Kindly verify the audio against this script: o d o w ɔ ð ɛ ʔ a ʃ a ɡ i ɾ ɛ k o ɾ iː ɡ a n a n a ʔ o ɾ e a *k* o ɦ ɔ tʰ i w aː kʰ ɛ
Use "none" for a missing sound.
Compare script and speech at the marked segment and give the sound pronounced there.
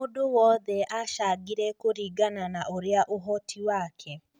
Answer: ʔ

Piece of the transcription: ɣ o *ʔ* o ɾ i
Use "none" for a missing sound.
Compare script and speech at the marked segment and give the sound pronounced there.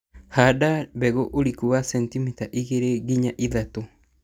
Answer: ʔ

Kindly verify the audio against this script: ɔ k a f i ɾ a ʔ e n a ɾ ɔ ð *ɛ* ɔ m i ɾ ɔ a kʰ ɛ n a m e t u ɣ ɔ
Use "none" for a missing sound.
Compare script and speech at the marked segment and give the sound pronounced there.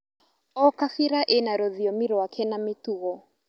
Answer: i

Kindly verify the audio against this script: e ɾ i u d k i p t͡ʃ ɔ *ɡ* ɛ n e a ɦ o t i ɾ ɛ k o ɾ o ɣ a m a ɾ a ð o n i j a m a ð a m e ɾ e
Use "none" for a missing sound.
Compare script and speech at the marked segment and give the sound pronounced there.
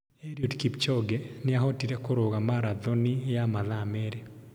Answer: ɡ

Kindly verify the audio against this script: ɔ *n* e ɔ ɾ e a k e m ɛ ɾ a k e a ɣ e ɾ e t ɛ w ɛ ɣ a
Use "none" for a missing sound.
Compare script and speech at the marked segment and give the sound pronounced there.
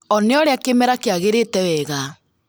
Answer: n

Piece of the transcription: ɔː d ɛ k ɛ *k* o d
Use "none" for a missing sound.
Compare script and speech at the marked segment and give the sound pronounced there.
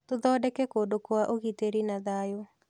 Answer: k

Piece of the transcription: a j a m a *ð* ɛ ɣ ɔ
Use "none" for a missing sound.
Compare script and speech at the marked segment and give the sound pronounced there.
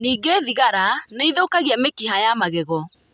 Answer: ɣ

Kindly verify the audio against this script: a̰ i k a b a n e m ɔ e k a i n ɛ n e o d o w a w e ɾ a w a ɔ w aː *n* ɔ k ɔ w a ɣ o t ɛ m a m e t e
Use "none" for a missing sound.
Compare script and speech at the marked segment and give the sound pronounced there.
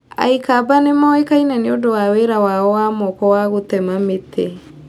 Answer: m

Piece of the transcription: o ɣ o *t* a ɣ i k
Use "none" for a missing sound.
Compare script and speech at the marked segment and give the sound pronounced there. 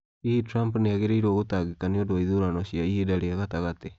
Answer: t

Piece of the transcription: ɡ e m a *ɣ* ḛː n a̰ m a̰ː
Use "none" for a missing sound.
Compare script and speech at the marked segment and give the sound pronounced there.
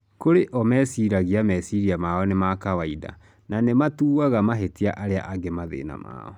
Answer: ð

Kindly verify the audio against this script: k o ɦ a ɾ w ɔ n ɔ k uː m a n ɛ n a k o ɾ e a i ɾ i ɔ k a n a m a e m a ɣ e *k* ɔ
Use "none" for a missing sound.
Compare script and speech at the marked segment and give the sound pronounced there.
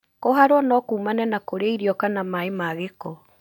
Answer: k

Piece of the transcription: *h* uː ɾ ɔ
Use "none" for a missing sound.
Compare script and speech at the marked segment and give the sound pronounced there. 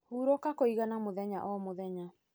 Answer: h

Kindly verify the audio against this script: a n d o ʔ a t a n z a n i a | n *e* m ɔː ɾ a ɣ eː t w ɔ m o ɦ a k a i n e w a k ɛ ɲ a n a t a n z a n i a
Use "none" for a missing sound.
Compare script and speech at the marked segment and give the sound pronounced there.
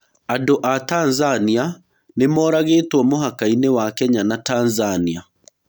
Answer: e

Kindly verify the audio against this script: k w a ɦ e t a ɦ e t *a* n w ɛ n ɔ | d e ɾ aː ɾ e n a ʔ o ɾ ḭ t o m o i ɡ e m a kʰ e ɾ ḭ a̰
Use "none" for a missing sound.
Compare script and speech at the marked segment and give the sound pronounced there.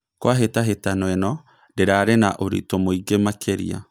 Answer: a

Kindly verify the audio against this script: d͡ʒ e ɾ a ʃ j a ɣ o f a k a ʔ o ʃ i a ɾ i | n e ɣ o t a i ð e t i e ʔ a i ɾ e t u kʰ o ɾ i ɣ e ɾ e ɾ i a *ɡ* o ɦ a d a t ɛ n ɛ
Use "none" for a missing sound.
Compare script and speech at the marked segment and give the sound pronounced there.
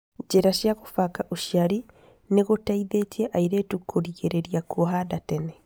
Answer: k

